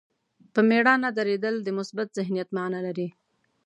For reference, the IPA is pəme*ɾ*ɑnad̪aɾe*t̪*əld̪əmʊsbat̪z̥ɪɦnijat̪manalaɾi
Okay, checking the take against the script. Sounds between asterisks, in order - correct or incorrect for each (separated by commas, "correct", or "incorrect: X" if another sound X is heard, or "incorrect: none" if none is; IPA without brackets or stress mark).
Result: incorrect: ɽ, incorrect: d̪